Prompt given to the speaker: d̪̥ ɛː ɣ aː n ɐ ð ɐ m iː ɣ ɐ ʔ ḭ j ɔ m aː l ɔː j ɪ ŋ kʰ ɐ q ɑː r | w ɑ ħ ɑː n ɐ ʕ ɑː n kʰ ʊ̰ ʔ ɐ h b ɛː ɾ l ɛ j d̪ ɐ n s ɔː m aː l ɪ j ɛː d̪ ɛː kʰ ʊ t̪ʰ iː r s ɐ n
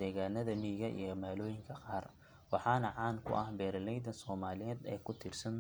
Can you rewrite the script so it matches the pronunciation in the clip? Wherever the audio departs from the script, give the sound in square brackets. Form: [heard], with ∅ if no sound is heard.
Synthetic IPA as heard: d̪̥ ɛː ɣ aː n ɐ ð ɐ m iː ɣ ɐ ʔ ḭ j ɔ m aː l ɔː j ɪ ŋ kʰ ɐ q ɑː r | w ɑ ħ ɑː n ɐ ʕ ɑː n kʰ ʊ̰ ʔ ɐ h b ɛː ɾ l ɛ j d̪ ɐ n s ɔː m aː l ɪ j ɛː d̪ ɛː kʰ ʊ t̪ʰ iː r s ɐ n

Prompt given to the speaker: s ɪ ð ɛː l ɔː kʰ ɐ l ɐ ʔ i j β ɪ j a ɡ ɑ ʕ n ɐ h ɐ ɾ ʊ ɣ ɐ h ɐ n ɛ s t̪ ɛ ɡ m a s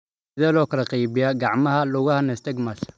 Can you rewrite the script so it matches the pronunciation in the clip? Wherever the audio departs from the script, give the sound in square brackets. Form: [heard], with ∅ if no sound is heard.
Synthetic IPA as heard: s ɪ ð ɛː l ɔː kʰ ɐ l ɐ [q] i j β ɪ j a ɡ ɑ ʕ [m] ɐ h ɐ [l] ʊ ɣ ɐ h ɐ n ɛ s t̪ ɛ ɡ m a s

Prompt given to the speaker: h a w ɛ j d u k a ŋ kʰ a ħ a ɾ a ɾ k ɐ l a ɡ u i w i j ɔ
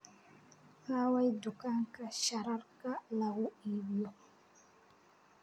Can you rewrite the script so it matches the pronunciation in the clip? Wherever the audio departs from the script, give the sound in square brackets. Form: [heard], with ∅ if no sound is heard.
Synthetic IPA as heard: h a w [a] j d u k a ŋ [k] a [ʃ] a ɾ a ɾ k [a] l a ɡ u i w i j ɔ

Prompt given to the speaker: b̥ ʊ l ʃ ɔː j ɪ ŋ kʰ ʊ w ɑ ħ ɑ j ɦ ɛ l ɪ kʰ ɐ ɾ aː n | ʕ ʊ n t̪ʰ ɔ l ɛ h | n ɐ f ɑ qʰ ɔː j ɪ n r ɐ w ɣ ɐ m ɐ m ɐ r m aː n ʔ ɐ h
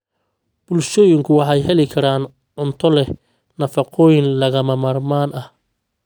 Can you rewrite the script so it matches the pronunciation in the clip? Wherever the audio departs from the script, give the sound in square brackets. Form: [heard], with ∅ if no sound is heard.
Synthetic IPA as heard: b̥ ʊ l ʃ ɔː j ɪ ŋ kʰ ʊ w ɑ ħ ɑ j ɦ ɛ l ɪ kʰ ɐ ɾ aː n | ʕ ʊ n t̪ʰ ɔ l ɛ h | n ɐ f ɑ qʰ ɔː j ɪ n [l] ɐ [∅] ɣ ɐ m ɐ m ɐ r m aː n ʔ ɐ h

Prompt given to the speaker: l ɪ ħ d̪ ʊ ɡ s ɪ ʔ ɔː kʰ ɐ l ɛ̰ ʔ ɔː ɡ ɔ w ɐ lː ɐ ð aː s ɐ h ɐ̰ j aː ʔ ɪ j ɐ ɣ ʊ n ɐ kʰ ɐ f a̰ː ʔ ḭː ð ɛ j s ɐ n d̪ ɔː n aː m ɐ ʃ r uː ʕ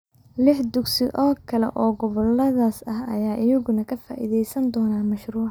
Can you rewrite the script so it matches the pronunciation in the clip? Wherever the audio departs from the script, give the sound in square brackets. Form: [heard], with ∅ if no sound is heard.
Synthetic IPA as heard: l ɪ ħ d̪ ʊ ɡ s ɪ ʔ ɔː kʰ ɐ l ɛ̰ ʔ ɔː ɡ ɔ [β] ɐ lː ɐ ð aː s ɐ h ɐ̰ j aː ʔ ɪ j ɐ ɣ ʊ n ɐ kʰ ɐ f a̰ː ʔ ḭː ð ɛ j s ɐ n d̪ ɔː n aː m ɐ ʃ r uː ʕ

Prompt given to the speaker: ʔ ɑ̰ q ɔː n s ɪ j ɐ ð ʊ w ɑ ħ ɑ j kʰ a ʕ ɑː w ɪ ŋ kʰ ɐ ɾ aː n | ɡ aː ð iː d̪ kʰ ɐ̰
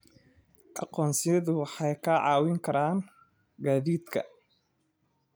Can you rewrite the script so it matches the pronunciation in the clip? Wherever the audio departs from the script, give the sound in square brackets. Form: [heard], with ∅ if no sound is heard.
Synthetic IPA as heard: ʔ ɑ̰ q ɔː n s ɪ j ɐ ð ʊ w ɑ ħ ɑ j kʰ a ʕ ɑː w ɪ ŋ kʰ ɐ ɾ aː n | ɡ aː ð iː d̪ kʰ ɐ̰

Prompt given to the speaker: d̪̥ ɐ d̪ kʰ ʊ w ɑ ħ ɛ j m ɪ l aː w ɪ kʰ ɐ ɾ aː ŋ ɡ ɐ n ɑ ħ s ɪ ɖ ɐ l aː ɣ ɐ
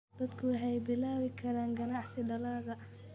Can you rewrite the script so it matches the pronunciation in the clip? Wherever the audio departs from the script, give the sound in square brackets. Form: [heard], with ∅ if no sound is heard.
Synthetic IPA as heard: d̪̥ ɐ d̪ kʰ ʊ w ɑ ħ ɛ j [b] ɪ l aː w ɪ kʰ ɐ ɾ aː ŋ ɡ ɐ n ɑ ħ s ɪ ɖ ɐ l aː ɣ ɐ

